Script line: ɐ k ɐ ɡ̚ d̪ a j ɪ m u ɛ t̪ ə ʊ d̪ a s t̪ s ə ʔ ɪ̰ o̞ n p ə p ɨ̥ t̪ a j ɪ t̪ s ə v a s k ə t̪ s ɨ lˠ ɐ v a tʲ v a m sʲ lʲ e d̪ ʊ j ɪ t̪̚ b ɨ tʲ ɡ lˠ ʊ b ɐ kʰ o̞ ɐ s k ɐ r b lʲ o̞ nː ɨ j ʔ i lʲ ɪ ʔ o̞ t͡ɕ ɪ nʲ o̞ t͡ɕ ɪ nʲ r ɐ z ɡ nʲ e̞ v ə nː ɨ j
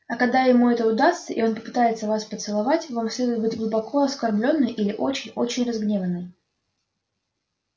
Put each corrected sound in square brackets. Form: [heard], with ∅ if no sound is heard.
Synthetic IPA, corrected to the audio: ɐ k ɐ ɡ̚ d̪ a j ɪ m u ɛ t̪ ə ʊ d̪ a s t̪ s ə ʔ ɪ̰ o̞ n p ə p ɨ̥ t̪ a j ɪ t̪ s ə v a s [p] ə t̪ s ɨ lˠ ɐ v a tʲ v a m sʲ lʲ e d̪ ʊ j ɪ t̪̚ b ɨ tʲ ɡ lˠ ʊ b ɐ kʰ o̞ ɐ s k ɐ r b lʲ o̞ nː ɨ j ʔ i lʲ ɪ ʔ o̞ t͡ɕ ɪ nʲ o̞ t͡ɕ ɪ nʲ r ɐ z ɡ nʲ e̞ v ə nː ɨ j